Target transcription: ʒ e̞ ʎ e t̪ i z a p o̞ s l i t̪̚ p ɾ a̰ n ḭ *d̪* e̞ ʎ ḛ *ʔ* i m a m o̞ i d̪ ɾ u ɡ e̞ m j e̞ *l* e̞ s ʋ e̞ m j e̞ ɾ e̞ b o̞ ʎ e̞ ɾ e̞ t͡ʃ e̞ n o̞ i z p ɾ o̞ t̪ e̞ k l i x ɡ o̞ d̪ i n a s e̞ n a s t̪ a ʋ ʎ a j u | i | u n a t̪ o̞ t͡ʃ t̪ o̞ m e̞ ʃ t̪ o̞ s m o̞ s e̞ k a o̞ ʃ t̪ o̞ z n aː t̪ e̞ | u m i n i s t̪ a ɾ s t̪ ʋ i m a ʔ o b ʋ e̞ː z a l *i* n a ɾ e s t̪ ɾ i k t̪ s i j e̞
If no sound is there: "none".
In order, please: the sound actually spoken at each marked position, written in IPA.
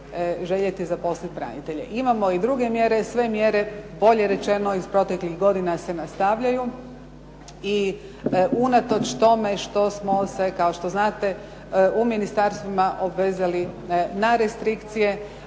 t̪, ʔ, ɾ, i

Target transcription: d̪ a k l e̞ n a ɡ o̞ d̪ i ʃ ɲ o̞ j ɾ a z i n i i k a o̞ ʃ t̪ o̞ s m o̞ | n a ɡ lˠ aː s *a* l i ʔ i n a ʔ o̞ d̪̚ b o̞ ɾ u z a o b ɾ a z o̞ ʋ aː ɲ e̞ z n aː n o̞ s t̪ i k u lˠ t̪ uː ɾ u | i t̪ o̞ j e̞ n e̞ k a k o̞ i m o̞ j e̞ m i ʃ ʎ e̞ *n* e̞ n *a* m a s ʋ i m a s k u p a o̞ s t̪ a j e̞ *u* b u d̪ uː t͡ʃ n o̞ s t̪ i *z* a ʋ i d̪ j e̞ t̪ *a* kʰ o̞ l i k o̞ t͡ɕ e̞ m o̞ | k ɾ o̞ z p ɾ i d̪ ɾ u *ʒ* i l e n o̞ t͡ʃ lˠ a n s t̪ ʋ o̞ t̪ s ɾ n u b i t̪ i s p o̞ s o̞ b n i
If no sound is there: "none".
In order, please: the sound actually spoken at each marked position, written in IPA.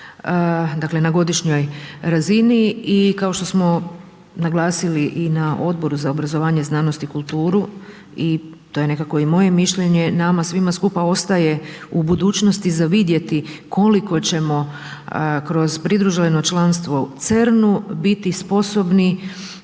i, ɲ, a, u, z, i, ʒ

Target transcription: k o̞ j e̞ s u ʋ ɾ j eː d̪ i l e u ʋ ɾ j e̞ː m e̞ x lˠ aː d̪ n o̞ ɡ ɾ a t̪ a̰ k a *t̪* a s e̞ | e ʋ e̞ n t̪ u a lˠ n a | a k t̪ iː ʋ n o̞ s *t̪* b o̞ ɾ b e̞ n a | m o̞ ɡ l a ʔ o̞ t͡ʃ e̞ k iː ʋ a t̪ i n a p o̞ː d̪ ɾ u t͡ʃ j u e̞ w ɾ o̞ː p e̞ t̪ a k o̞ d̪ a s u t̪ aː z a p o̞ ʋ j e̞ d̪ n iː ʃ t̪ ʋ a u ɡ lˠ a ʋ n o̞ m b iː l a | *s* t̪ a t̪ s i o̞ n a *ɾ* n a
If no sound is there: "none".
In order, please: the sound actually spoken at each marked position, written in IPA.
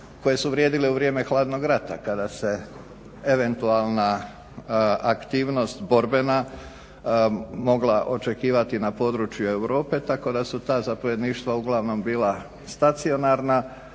d̪, t̪, s, ɾ

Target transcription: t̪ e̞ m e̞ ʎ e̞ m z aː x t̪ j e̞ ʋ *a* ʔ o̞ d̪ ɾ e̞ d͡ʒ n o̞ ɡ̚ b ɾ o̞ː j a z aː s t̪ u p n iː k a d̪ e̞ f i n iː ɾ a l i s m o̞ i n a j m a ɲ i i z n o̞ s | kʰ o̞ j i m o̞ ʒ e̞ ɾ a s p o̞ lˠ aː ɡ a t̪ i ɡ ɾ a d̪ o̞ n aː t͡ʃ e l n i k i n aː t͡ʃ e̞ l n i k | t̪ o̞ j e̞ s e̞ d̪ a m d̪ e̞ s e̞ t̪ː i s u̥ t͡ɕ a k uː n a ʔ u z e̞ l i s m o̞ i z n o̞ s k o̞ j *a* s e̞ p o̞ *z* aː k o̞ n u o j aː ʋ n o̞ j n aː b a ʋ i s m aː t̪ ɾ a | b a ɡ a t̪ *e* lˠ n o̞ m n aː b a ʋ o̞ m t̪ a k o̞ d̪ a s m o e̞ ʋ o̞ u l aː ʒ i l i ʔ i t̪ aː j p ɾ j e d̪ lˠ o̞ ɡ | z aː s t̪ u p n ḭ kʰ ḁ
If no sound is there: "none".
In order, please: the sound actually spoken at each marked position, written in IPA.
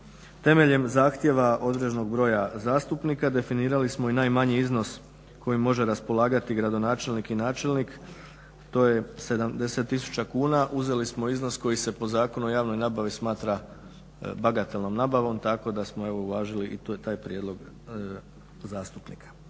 a, i, z, e

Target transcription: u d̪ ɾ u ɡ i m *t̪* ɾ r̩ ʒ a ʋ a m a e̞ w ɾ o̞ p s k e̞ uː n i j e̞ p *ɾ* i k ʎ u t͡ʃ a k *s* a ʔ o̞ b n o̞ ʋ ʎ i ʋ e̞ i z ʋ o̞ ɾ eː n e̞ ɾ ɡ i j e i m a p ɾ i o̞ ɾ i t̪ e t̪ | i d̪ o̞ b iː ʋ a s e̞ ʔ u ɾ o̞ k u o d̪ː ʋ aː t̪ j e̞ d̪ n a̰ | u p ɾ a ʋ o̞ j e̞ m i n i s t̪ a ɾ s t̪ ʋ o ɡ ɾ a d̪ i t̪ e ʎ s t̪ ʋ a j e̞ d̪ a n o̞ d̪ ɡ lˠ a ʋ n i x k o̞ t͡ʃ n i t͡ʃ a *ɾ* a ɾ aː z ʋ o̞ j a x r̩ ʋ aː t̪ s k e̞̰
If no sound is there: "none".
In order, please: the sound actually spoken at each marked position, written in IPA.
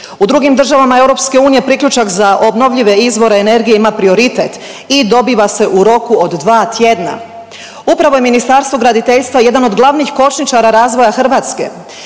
d̪, ɾ, z, ɾ

